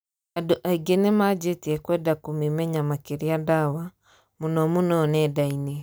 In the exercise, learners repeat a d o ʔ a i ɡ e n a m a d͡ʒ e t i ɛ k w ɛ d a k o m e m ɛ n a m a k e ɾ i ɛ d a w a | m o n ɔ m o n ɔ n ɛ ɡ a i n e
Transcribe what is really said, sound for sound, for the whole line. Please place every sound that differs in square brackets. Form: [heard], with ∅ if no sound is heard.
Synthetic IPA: a d o ʔ a i ɡ e n [e] m a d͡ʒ e t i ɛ k w ɛ d a k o m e m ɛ [ɲ] a m a k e ɾ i [a] d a w a | m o n ɔ m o n ɔ n ɛ [d] a i n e